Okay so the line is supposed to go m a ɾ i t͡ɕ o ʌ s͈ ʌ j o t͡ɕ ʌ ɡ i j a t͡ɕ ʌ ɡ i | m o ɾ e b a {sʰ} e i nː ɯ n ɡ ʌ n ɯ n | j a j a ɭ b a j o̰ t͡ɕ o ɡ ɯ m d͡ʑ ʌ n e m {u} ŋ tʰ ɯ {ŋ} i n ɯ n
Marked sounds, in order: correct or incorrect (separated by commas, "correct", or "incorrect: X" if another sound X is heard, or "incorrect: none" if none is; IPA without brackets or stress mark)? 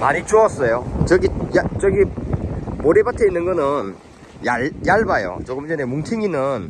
incorrect: tʰ, correct, correct